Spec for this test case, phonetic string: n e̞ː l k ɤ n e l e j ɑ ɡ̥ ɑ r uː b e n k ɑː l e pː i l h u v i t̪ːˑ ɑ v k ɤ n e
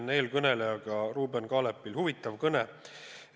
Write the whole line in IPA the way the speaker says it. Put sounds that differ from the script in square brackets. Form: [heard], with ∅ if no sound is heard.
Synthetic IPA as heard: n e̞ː l k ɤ n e l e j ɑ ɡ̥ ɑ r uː b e n k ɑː l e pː i l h u v i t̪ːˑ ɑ v k ɤ n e